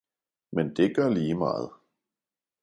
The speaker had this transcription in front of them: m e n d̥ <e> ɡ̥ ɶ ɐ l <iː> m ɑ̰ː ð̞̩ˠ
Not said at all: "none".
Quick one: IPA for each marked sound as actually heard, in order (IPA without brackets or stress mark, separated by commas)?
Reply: e, iː